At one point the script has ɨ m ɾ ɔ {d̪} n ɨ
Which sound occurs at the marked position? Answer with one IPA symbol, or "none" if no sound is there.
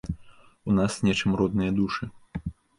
d̪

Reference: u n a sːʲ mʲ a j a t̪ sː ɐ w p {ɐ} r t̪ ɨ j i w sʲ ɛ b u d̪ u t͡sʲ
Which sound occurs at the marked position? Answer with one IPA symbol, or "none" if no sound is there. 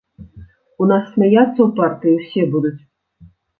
a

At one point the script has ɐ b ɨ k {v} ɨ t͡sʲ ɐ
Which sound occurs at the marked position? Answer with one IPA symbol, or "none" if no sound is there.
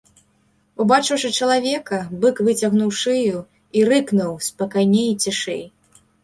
v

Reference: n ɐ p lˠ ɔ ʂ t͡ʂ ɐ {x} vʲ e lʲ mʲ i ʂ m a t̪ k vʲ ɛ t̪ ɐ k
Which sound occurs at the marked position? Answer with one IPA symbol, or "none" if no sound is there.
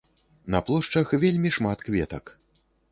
x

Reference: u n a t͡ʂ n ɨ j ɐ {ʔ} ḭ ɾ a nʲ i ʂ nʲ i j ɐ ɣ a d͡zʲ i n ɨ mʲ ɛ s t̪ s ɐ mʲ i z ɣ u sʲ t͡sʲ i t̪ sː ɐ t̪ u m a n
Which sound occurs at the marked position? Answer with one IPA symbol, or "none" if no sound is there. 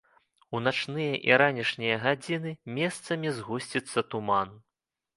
ʔ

